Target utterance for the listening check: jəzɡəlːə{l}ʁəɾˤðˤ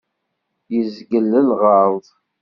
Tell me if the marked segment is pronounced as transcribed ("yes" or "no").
yes